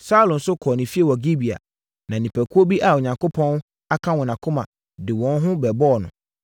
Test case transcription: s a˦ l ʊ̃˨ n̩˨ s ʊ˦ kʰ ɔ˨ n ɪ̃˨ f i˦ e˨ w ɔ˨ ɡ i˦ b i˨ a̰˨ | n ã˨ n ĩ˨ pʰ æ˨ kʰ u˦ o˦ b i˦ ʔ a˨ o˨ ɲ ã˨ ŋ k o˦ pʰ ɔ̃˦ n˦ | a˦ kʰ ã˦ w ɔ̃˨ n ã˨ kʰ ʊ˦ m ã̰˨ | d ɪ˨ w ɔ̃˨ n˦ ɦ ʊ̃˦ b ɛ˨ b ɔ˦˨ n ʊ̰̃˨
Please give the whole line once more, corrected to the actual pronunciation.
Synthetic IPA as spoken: s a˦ l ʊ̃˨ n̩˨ s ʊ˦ kʰ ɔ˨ n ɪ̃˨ f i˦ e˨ w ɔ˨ ɡ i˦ b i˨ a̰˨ | n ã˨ n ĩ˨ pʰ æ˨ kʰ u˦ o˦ b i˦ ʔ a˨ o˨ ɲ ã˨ ŋ k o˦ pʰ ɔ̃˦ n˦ | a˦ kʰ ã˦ w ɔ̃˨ n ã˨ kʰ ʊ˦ m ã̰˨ | d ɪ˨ w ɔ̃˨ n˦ ɦ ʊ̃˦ b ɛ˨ b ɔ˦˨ n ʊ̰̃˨